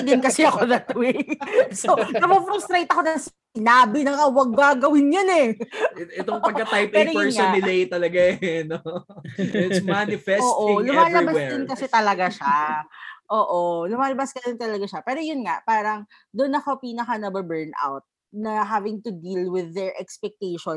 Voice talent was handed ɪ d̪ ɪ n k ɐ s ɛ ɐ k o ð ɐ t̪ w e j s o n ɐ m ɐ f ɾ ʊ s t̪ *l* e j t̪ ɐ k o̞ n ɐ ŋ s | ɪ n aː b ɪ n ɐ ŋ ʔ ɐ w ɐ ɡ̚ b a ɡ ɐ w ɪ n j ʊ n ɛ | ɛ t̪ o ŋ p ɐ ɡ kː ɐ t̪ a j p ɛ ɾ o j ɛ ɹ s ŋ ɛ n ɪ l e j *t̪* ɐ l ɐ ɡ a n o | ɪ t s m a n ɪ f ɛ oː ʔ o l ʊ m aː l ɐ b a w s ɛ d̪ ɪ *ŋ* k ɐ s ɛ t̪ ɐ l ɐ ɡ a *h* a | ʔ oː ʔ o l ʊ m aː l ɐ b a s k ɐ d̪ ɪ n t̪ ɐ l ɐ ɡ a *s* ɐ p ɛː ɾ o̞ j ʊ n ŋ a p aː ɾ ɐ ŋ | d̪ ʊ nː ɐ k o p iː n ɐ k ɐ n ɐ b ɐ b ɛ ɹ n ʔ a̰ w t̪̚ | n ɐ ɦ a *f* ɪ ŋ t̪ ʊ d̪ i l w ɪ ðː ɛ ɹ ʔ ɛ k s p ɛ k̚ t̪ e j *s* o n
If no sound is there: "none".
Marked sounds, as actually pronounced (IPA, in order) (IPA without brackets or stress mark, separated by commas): ɾ, t̪, n, ʃ, ʃ, v, ʃ